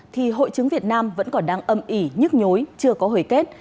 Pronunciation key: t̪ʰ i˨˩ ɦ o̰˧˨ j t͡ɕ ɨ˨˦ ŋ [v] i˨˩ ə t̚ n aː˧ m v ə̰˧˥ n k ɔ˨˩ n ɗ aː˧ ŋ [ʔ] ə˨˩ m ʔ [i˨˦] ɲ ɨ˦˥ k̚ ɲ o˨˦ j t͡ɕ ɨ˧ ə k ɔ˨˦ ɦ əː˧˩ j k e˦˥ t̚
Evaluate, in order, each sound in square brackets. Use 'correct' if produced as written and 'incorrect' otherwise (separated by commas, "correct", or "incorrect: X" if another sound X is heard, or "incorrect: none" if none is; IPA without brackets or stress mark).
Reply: correct, correct, incorrect: i˧˩